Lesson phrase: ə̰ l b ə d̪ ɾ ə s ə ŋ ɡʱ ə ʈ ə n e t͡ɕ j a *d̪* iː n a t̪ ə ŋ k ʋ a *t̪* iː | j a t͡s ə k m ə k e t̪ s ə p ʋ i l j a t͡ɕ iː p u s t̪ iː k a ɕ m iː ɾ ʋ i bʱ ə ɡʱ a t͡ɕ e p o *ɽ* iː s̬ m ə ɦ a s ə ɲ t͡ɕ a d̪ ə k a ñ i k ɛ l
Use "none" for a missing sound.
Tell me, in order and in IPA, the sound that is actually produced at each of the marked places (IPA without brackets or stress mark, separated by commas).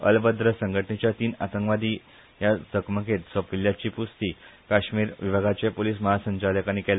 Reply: t̪, d̪, l